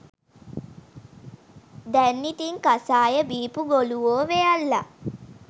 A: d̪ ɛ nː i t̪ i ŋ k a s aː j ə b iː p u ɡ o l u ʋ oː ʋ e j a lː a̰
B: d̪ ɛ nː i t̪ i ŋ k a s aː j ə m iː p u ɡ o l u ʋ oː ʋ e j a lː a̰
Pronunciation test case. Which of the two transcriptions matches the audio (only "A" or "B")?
A